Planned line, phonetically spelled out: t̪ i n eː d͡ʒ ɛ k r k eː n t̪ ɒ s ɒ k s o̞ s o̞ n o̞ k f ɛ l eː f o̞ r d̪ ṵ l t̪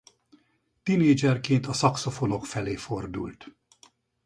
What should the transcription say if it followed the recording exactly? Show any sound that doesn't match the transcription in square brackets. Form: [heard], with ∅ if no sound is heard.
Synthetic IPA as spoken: t̪ i n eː d͡ʒ ɛ [∅] r k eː n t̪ ɒ s ɒ k s o̞ [f] o̞ n o̞ k f ɛ l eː f o̞ r d̪ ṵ l t̪